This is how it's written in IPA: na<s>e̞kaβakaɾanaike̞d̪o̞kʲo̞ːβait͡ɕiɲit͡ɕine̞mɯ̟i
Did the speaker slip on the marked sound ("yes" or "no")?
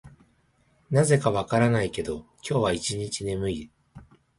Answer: yes